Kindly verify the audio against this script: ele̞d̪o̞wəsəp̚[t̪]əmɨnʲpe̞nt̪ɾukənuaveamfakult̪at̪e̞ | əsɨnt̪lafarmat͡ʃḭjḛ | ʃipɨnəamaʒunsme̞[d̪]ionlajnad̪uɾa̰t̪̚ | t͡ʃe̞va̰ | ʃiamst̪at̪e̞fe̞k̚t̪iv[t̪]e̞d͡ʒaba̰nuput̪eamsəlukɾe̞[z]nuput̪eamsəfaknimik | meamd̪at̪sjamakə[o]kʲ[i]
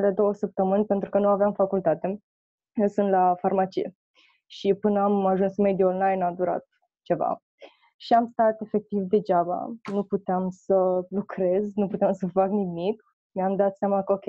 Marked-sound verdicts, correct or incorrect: correct, correct, incorrect, correct, correct, incorrect

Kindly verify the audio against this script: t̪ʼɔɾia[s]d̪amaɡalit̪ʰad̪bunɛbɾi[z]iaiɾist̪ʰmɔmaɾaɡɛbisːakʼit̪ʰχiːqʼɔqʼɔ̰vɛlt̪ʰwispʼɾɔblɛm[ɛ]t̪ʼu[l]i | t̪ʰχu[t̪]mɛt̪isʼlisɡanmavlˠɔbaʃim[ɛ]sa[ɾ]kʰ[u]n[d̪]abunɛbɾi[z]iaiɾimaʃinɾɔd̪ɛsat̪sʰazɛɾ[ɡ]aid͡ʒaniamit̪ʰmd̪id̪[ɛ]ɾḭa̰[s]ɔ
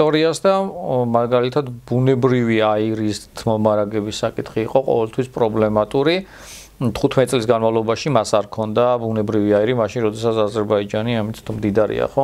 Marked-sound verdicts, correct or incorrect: correct, incorrect, incorrect, incorrect, incorrect, incorrect, correct, incorrect, correct, incorrect, incorrect, incorrect, incorrect

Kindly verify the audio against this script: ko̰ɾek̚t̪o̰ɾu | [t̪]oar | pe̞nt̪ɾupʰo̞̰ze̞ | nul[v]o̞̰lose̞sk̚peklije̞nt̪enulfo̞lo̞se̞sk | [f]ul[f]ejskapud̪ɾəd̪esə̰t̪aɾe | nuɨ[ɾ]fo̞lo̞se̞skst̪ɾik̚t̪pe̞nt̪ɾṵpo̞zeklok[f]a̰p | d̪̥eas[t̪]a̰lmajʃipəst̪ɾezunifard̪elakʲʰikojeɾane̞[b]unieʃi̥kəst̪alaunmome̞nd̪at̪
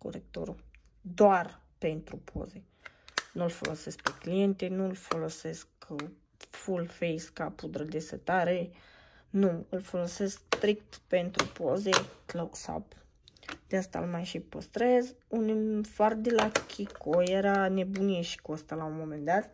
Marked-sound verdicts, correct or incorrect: incorrect, incorrect, correct, correct, incorrect, incorrect, correct, correct

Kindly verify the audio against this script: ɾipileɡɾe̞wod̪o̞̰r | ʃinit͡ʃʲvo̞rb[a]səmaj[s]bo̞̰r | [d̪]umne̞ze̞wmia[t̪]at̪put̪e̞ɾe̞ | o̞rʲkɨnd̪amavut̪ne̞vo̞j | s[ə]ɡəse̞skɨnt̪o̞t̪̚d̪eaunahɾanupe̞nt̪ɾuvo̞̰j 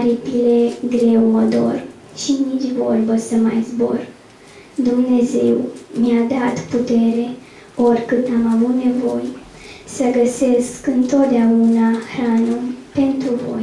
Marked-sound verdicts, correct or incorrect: incorrect, incorrect, correct, incorrect, correct

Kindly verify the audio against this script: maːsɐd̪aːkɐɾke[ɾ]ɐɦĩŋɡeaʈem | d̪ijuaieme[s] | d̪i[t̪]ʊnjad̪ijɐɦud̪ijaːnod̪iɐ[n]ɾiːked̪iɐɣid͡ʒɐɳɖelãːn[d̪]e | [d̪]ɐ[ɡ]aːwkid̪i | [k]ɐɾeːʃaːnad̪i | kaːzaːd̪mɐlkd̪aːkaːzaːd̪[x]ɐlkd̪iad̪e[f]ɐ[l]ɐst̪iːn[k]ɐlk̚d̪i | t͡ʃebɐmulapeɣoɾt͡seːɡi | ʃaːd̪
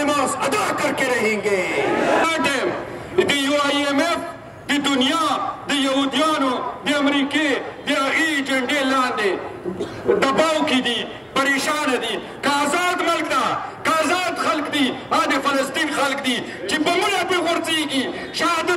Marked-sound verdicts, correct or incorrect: correct, incorrect, incorrect, incorrect, correct, correct, incorrect, incorrect, correct, correct, correct, incorrect

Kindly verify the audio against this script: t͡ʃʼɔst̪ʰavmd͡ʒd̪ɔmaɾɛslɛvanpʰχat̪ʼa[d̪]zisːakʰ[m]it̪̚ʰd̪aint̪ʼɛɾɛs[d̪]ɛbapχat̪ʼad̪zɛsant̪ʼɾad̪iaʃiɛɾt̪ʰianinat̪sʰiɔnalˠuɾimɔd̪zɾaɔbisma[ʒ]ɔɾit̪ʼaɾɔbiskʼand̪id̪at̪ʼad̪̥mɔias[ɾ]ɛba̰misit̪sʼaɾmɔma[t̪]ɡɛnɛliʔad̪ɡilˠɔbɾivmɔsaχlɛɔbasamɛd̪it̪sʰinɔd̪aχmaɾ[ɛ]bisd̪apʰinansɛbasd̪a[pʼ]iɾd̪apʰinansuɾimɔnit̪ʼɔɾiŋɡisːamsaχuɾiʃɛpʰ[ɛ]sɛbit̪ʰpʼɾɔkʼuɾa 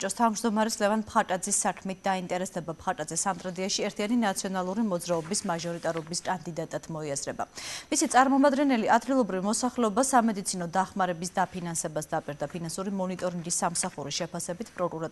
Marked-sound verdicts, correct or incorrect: correct, correct, correct, correct, correct, incorrect, correct, correct, incorrect

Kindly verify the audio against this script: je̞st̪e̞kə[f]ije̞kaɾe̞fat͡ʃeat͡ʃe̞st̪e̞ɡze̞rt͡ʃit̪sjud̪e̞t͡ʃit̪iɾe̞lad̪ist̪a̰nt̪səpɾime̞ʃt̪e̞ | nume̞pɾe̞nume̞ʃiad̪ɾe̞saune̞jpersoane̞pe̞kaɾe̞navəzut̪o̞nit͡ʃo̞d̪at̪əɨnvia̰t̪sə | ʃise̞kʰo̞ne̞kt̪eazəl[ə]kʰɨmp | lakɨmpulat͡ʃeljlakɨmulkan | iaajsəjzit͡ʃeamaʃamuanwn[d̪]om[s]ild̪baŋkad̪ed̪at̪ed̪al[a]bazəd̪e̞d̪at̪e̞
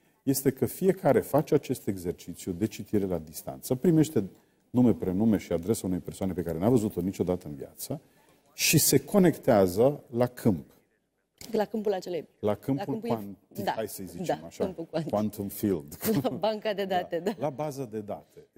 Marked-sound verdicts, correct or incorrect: correct, incorrect, incorrect, incorrect, correct

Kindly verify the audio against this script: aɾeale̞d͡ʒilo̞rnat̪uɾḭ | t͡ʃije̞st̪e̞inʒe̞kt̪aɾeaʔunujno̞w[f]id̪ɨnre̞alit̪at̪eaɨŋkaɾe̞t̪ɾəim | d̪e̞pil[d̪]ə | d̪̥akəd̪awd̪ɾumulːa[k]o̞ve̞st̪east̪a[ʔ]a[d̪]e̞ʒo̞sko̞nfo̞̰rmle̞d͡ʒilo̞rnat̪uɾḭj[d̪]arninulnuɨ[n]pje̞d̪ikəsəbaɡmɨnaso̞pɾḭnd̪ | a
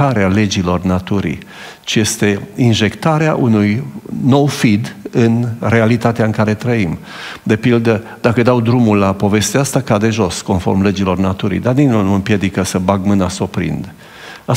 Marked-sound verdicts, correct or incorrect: correct, correct, incorrect, incorrect, correct, correct, incorrect

